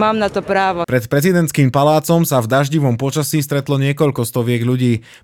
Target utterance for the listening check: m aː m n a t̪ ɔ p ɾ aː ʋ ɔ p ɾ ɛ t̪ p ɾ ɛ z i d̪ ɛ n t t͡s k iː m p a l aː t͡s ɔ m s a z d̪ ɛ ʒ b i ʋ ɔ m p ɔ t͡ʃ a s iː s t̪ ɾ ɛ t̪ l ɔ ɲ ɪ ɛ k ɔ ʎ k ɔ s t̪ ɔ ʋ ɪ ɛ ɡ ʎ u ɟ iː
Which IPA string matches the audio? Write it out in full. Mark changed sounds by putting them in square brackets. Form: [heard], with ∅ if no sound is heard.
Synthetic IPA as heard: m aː m n a t̪ ɔ p ɾ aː ʋ ɔ p ɾ ɛ t̪ p ɾ ɛ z i d̪ ɛ n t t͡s k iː m p a l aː t͡s ɔ m s a [v] d̪ [a] ʒ [ɟ] i ʋ ɔ m p ɔ t͡ʃ a s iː s t̪ ɾ ɛ t̪ l ɔ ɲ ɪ ɛ k ɔ ʎ k ɔ s t̪ ɔ ʋ ɪ ɛ ɡ ʎ u ɟ iː